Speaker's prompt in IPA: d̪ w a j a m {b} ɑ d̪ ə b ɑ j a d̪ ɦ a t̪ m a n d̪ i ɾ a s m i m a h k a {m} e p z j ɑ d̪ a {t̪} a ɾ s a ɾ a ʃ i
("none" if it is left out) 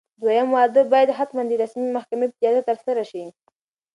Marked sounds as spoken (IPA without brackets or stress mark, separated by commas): w, m, t̪